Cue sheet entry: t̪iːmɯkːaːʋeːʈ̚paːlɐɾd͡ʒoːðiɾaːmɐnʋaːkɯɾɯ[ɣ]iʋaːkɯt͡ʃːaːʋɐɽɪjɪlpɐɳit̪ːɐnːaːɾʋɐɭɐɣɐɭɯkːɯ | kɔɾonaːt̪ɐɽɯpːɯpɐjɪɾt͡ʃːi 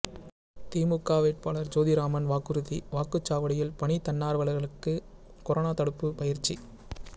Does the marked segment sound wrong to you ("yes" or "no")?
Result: yes